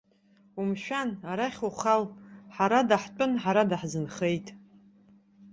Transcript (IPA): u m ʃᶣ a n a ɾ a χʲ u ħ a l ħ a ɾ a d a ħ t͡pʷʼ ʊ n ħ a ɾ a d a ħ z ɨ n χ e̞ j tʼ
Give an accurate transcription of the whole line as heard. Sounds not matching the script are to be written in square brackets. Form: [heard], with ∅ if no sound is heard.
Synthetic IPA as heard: u m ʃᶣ a n a ɾ a χʲ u [χ] a l ħ a ɾ a d a ħ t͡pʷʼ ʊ n ħ a ɾ a d a ħ z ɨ n χ e̞ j tʼ